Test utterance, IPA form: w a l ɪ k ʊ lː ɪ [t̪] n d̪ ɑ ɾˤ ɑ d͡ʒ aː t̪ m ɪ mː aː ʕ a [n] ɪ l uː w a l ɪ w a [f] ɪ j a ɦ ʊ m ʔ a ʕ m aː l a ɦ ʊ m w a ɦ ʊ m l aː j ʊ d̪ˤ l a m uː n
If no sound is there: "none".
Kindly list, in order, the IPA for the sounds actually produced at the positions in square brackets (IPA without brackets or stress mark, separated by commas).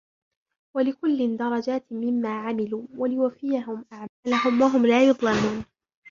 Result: none, m, f